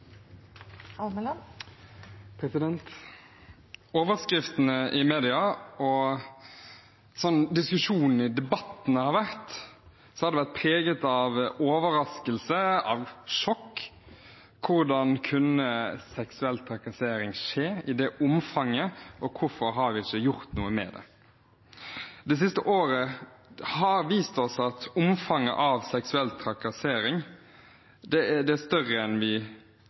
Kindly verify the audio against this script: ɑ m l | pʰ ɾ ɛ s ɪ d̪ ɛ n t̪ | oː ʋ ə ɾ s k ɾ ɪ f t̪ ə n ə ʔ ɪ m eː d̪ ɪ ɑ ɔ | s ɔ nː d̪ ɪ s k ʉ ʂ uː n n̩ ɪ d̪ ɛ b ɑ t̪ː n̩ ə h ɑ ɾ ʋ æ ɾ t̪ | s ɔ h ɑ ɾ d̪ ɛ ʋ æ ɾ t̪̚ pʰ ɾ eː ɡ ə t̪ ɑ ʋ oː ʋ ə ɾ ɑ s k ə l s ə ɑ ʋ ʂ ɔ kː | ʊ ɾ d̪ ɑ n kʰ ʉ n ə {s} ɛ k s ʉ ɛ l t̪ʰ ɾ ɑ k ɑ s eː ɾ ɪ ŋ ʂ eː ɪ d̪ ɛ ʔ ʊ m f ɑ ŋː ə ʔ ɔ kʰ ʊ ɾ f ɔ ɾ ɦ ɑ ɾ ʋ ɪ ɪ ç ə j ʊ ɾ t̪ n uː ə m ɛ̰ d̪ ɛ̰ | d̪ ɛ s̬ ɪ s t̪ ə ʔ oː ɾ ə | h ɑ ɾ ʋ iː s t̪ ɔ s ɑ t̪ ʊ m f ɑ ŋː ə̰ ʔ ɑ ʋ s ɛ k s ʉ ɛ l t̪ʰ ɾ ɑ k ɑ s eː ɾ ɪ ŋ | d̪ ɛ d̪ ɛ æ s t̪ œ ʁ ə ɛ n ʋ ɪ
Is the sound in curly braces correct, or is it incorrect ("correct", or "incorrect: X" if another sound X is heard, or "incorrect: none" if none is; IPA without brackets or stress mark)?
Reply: correct